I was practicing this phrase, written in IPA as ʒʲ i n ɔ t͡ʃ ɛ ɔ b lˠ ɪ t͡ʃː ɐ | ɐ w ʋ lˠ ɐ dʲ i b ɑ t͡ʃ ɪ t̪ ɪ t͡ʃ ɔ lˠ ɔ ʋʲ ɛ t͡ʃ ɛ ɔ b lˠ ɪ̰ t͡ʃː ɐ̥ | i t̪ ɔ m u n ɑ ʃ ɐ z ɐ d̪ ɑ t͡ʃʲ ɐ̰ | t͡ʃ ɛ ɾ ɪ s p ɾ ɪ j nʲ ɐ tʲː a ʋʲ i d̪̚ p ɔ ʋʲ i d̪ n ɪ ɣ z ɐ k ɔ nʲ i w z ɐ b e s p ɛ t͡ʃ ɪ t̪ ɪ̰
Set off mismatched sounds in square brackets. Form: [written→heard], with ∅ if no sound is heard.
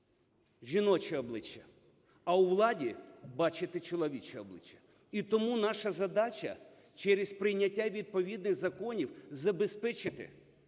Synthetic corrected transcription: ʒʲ i n ɔ t͡ʃ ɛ ɔ b lˠ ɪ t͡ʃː ɐ | ɐ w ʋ lˠ [ɐ→ɑ] dʲ i b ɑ t͡ʃ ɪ t̪ ɪ t͡ʃ ɔ lˠ ɔ ʋʲ [ɛ→i] t͡ʃ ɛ ɔ b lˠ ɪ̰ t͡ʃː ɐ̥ | i t̪ ɔ m u n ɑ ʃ ɐ z ɐ d̪ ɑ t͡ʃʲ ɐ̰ | t͡ʃ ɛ ɾ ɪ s p ɾ ɪ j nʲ ɐ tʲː a ʋʲ i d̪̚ p ɔ ʋʲ i d̪ n ɪ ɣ z ɐ k ɔ nʲ i w z ɐ b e s p ɛ t͡ʃ ɪ t̪ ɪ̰